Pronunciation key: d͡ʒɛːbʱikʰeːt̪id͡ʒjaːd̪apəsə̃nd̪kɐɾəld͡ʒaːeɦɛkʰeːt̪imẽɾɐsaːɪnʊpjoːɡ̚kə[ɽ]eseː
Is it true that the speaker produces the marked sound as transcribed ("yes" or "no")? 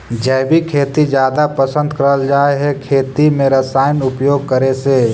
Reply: no